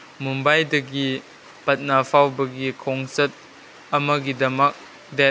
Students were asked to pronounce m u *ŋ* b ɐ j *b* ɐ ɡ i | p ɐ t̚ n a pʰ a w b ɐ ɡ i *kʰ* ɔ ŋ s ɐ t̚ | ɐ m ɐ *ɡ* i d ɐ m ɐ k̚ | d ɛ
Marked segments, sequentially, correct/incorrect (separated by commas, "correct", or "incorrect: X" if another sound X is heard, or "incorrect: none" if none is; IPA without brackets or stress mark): incorrect: m, incorrect: d, correct, correct